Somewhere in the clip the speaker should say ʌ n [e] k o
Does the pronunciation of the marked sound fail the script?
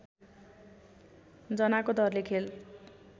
yes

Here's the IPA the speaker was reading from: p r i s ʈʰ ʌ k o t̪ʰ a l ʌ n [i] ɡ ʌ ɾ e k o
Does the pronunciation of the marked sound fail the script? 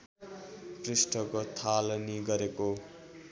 no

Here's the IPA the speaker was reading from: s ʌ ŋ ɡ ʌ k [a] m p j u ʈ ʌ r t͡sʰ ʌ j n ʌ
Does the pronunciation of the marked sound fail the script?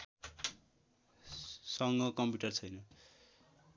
yes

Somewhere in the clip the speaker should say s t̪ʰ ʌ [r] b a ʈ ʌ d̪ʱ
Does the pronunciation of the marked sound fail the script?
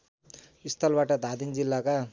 yes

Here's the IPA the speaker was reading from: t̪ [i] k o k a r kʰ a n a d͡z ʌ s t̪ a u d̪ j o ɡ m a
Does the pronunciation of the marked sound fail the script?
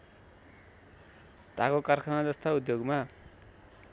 yes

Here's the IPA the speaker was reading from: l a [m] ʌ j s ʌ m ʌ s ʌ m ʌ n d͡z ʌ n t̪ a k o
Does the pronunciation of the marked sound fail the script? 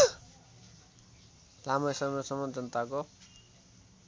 no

